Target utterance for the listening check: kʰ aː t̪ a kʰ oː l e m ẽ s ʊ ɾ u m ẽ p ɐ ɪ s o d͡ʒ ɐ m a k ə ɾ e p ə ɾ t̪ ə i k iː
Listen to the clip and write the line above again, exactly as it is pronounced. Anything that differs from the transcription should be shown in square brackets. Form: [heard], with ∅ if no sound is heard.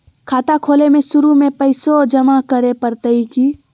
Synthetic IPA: kʰ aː t̪ a kʰ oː l e m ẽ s ʊ ɾ u m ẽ p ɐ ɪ s o d͡ʒ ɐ m a k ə ɾ e p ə ɾ t̪ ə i k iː